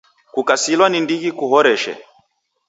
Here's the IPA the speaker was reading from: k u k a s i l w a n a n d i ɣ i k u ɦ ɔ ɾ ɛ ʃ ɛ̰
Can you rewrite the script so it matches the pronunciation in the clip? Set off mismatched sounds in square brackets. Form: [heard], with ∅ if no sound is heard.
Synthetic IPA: k u k a s i l w a n [i] n d i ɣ i k u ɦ ɔ ɾ ɛ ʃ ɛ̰